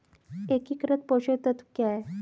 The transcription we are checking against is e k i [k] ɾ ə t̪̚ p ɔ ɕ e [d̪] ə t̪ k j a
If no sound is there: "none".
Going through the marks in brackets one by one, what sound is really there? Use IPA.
k, t̪

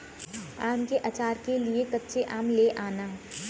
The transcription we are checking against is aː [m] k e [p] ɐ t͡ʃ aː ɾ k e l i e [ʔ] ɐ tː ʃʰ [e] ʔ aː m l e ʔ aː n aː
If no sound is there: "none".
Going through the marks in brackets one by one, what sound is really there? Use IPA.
m, ʔ, k, e

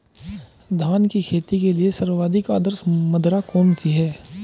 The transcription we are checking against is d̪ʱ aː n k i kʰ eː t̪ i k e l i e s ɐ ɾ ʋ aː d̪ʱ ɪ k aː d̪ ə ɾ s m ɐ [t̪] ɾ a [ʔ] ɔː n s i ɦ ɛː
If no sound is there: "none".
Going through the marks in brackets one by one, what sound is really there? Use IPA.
d̪, k

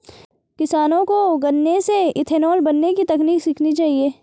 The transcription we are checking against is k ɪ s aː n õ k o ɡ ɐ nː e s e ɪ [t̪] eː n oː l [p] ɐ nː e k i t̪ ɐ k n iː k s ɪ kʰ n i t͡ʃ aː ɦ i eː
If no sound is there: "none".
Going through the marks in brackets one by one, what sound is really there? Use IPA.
t̪ʰ, b

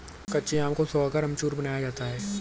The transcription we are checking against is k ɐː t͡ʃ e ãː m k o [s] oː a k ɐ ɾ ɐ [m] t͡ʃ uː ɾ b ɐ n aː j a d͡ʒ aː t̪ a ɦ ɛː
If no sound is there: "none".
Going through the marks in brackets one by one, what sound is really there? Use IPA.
s, m

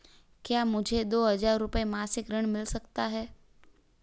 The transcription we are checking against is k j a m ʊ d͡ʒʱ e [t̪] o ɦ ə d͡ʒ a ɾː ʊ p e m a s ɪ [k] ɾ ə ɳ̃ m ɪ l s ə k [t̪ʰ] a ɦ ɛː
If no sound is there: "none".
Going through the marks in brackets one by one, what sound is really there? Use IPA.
d̪, k, t̪

